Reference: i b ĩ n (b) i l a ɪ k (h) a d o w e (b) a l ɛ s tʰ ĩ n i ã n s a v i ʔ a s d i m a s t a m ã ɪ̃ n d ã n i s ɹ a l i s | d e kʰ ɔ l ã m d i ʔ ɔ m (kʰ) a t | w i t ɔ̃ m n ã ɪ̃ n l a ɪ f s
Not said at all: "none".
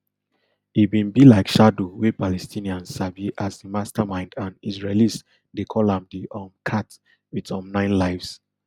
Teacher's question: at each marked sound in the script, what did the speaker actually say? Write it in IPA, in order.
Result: b, ʃ, p, kʰ

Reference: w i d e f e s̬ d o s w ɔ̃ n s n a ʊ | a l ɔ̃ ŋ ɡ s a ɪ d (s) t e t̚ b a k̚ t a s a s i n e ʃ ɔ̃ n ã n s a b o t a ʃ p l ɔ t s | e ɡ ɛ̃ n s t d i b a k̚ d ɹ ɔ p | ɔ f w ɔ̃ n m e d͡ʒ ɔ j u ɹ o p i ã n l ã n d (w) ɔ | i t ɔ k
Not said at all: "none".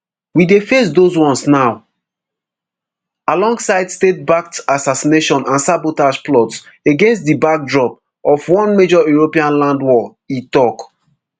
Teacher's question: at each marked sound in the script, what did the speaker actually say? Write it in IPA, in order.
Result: s, w

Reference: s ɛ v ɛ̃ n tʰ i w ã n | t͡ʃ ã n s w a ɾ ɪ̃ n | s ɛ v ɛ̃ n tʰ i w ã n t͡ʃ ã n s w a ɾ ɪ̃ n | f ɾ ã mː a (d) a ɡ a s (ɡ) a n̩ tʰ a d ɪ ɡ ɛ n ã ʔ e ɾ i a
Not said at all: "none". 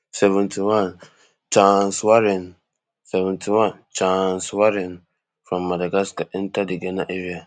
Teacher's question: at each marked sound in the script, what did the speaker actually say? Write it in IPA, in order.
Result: d, k

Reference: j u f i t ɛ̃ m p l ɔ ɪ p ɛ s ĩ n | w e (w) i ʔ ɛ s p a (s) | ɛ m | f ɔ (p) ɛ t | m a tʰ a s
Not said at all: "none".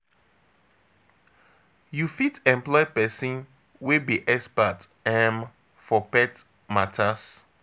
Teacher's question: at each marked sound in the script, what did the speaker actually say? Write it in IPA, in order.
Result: b, t, p

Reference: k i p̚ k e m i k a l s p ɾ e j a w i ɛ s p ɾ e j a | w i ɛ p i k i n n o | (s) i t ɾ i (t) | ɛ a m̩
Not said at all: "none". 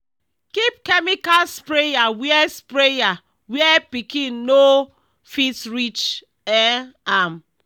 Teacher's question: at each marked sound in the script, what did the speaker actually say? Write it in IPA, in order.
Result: f, t͡ʃ

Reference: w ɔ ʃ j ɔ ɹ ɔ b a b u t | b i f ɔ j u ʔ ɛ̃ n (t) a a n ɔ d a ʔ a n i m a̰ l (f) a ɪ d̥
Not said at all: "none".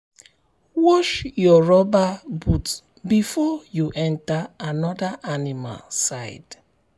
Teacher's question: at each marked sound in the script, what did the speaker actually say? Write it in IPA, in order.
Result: t, s

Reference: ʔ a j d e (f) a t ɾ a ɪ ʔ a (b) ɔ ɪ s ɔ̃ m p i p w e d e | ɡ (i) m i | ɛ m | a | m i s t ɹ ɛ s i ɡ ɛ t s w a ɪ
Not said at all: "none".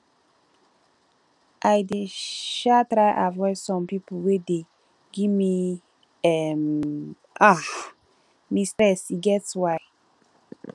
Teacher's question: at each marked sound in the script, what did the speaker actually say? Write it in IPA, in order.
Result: ʃ, v, i

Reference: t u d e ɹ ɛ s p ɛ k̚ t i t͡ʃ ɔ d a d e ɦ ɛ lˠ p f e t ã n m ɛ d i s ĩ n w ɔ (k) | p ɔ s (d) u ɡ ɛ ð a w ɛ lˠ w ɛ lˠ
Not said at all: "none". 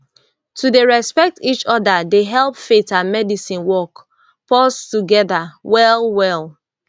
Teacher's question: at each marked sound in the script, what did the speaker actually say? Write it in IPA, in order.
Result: k, t

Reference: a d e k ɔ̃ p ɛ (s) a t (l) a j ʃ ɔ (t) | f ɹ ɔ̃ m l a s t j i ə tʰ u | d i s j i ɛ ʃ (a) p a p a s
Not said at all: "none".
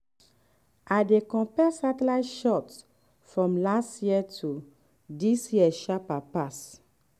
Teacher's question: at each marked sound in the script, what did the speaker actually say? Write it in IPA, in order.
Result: s, l, t, a

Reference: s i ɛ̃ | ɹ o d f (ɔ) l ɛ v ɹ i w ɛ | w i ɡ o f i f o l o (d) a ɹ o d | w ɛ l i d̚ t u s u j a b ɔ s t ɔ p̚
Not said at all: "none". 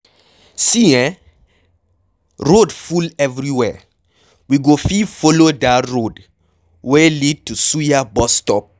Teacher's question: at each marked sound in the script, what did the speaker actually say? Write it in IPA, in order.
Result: u, d

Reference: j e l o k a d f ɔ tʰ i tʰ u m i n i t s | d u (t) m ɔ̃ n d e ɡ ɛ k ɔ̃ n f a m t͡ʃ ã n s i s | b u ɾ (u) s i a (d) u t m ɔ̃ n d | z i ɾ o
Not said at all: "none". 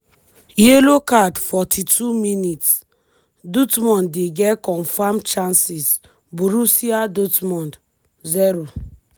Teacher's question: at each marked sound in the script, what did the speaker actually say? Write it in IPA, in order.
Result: t, u, d

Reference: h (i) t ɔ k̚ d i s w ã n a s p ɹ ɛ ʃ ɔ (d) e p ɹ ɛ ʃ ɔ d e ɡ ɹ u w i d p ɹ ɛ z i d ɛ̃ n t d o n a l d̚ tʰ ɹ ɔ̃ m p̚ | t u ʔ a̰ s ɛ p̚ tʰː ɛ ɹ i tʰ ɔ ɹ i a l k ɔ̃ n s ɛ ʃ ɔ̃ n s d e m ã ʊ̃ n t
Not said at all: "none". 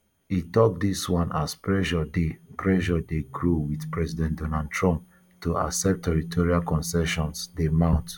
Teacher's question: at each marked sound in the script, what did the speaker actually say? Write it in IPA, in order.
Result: i, d

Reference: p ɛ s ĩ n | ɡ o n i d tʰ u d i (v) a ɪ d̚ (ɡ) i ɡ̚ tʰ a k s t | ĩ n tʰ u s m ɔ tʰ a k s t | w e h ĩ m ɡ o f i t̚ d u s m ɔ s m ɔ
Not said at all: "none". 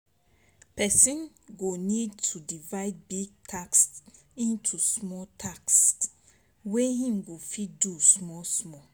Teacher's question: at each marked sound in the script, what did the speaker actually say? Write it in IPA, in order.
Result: v, b

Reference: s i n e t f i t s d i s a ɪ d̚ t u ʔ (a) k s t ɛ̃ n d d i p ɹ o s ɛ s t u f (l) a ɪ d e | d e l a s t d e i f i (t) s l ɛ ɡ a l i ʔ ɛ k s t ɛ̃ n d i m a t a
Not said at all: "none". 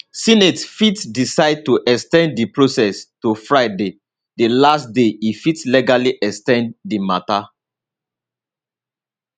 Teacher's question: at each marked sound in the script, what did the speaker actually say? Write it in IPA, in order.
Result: ɛ, ɹ, t

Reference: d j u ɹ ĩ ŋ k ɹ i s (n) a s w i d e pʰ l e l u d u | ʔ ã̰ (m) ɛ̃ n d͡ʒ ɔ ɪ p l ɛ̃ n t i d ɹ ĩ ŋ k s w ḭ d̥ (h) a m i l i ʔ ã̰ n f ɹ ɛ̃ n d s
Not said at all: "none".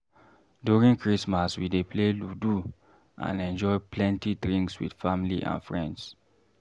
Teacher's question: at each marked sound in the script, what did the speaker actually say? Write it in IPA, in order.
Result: m, n, f

